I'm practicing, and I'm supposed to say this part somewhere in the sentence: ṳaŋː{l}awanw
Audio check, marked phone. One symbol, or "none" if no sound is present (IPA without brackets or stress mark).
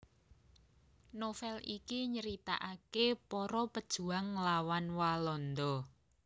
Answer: l